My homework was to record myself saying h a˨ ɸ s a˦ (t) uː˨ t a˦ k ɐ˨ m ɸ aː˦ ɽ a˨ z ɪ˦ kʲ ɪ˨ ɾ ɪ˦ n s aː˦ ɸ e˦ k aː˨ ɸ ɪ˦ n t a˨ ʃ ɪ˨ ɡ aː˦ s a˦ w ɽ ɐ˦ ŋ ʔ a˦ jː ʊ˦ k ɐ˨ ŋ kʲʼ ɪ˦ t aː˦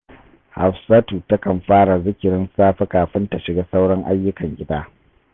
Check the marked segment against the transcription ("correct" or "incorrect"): correct